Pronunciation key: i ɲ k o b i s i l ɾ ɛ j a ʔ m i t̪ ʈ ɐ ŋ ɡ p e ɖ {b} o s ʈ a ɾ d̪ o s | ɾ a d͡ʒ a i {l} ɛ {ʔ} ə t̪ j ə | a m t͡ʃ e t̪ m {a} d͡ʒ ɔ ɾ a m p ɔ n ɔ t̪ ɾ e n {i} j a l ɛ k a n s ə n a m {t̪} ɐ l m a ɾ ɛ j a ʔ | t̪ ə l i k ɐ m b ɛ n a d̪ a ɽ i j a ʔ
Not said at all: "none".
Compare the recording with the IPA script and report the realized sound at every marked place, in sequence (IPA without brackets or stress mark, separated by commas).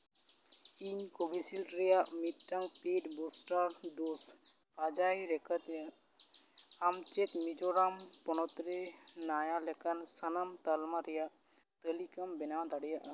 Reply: b, ɾ, k, i, a, t̪